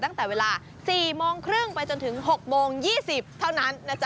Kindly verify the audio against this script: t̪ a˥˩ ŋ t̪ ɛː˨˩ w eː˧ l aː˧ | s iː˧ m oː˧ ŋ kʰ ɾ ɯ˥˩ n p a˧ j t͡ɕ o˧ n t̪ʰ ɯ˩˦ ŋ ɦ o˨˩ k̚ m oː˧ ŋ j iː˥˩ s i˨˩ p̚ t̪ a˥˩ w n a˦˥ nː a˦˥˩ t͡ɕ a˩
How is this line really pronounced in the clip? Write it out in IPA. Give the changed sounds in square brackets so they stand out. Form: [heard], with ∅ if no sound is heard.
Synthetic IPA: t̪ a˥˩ ŋ t̪ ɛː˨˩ w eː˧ l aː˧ | s [iː˨˩] m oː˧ ŋ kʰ ɾ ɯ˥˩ [ŋ] p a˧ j t͡ɕ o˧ n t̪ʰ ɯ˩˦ ŋ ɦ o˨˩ k̚ m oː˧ ŋ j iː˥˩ s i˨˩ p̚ [t̪ʰ] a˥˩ w n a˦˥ nː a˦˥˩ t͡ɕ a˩